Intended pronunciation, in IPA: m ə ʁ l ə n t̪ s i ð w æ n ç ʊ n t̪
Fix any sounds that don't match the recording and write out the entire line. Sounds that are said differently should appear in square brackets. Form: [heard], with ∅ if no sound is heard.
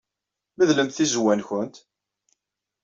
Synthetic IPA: m ə [ð] l ə [m] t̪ [θ] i [z] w æ n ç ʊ n t̪